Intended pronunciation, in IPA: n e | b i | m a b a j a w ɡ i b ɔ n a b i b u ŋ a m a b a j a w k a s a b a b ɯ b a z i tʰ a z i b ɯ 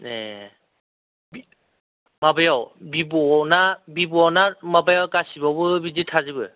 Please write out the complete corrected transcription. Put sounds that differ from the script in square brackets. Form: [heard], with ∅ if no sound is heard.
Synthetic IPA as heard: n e | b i | m a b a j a w [b] i b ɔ n a b i b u [n] a m a b a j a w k a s [i] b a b ɯ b [i] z i tʰ a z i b ɯ